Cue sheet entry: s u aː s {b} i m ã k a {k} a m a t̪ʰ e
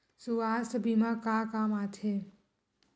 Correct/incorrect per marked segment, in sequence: correct, correct

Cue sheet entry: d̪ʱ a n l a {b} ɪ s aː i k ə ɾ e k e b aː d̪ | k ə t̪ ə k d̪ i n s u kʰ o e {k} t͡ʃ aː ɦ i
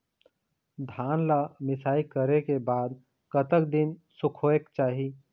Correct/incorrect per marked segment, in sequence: incorrect: m, correct

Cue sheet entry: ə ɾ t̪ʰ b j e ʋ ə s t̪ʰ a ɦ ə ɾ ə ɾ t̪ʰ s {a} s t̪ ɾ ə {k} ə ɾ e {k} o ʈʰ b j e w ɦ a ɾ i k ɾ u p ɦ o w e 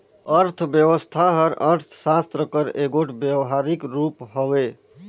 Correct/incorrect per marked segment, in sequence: correct, correct, incorrect: ɡ

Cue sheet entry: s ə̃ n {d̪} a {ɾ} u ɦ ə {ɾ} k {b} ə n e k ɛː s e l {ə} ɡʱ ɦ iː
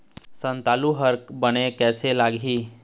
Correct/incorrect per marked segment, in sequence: incorrect: t̪, incorrect: l, correct, correct, incorrect: a

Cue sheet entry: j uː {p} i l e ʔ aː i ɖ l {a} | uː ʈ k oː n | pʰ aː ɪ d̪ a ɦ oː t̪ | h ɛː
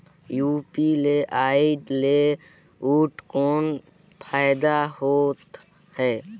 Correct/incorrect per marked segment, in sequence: correct, incorrect: e

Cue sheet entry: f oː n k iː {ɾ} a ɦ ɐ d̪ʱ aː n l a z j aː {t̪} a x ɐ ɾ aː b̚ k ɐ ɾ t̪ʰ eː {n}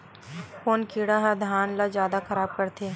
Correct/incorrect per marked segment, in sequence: incorrect: ɽ, incorrect: d̪, incorrect: none

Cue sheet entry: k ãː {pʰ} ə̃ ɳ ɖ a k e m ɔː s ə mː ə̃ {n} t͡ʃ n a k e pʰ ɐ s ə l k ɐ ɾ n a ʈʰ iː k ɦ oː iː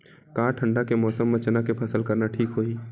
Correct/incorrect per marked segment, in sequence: incorrect: ʈʰ, incorrect: none

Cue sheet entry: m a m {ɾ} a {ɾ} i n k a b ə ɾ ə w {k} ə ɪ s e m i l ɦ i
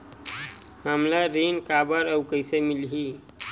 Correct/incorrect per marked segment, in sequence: incorrect: l, correct, correct

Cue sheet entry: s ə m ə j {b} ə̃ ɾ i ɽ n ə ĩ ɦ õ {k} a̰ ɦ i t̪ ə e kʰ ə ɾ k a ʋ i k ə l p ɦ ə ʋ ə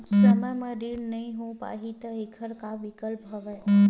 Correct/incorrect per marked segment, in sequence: incorrect: m, incorrect: p

